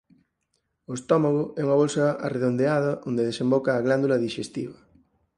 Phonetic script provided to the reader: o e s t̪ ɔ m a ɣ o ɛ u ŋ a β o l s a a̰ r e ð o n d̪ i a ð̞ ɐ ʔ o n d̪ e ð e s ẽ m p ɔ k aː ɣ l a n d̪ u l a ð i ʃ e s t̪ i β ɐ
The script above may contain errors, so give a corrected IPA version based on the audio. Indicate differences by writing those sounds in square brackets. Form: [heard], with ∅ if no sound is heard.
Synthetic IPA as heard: o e s t̪ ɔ m a ɣ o ɛ u ŋ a β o l s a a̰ r e ð o n d̪ [e] a ð̞ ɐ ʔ o n d̪ e ð e s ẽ m [b] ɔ k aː ɣ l a n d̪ u l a ð i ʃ e s t̪ i β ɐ